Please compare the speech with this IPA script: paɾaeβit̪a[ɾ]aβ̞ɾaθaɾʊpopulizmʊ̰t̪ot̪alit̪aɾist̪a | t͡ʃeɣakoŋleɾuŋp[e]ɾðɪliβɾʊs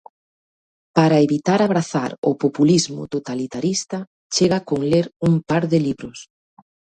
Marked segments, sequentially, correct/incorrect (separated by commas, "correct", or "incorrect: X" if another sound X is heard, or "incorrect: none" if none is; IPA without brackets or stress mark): correct, incorrect: a